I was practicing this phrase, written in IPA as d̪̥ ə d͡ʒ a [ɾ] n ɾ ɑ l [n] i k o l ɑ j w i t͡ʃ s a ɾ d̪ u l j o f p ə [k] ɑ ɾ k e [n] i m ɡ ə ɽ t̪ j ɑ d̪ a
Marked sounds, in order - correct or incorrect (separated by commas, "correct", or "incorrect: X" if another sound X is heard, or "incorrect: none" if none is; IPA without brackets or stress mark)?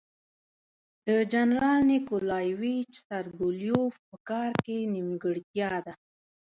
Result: incorrect: none, correct, correct, correct